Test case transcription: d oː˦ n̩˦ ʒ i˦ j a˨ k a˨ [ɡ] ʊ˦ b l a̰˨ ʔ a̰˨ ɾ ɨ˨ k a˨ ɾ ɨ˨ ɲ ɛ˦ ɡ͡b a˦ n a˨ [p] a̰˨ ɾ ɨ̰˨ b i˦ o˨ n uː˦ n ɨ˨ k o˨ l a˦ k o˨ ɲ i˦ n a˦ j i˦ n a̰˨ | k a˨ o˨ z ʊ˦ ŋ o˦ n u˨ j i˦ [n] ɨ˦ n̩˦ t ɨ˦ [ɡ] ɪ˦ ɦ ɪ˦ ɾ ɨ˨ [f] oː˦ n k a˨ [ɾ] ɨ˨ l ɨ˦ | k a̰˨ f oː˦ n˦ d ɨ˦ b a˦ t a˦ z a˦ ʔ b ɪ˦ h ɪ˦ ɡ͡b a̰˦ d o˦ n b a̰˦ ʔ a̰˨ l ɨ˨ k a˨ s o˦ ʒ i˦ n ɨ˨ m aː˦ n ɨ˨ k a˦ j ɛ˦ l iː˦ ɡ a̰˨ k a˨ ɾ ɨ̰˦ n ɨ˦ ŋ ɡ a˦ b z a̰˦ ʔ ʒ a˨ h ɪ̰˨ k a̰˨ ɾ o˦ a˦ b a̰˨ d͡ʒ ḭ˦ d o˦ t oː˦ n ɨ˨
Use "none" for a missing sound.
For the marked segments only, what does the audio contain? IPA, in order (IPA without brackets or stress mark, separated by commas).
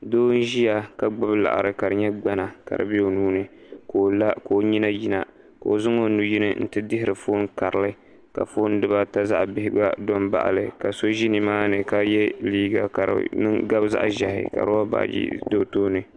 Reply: ɡ͡b, k, n, d, f, ɾ